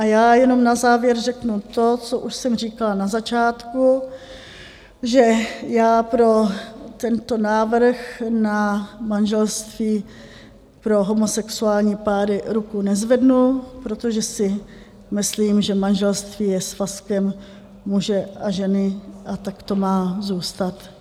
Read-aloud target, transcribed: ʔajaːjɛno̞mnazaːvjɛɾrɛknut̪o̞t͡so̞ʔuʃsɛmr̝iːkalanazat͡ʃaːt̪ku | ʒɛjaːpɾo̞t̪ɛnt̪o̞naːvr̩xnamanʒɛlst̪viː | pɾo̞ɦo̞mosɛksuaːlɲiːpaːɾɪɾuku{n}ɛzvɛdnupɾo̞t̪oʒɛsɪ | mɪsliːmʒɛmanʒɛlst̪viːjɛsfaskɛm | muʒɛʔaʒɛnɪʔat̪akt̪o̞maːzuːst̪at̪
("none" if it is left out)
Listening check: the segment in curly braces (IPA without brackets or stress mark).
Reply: n